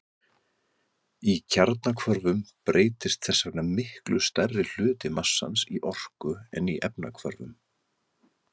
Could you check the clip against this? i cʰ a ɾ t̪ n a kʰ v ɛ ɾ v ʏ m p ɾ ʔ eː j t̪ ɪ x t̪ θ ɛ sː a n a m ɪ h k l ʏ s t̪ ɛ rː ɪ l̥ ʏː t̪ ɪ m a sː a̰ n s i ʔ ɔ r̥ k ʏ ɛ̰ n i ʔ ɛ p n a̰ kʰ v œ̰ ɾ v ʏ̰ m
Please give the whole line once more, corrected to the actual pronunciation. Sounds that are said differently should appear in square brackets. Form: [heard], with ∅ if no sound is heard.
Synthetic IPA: i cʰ a ɾ t̪ n a kʰ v [œ] ɾ v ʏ m p ɾ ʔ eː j t̪ ɪ [s] t̪ θ ɛ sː a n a m ɪ h k l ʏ s t̪ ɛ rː ɪ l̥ ʏː t̪ ɪ m a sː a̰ n s i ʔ ɔ r̥ k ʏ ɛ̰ n i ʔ ɛ p n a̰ kʰ v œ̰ ɾ v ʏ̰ m